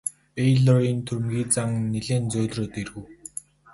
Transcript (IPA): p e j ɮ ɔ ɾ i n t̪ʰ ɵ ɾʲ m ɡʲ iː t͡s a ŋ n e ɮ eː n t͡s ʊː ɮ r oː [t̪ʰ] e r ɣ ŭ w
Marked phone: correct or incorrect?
incorrect